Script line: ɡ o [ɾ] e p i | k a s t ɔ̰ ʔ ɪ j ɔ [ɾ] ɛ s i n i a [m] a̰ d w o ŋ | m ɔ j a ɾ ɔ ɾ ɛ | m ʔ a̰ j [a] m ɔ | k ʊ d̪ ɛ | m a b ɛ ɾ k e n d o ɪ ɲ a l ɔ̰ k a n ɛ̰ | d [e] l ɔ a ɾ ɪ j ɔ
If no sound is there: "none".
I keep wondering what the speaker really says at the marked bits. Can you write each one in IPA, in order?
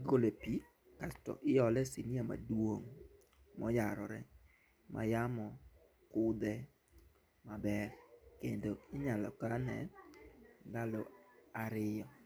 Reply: l, l, m, a, a

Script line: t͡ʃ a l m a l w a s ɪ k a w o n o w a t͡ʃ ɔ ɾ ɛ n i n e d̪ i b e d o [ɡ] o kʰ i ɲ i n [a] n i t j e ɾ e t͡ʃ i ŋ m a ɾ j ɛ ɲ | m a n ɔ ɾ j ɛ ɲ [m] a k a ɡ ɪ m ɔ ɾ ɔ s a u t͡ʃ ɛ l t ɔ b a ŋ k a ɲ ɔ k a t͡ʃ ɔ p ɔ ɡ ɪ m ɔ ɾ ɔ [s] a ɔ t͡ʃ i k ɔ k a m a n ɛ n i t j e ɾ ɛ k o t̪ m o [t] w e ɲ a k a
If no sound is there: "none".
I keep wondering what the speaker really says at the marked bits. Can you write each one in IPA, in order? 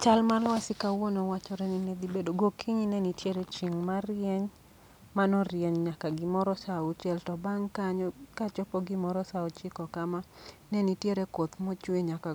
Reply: ɡ, ɛ, ɲ, s, t͡ʃ

